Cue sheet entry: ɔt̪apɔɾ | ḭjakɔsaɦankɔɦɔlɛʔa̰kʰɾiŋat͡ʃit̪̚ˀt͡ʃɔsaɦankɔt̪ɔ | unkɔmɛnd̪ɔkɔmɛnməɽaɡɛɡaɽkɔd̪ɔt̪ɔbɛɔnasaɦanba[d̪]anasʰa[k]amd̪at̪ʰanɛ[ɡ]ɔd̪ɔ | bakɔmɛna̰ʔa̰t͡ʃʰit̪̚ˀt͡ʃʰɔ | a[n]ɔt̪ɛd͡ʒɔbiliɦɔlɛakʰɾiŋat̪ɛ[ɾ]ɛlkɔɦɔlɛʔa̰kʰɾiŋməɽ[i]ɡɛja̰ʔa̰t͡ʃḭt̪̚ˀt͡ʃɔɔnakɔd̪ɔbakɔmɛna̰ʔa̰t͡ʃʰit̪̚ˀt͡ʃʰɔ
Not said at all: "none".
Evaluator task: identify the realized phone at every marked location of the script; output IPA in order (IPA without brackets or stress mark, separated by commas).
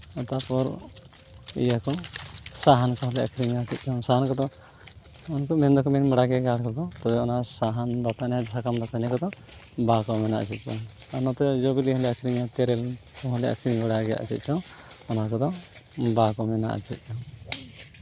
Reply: t̪, k, k, n, ɾ, a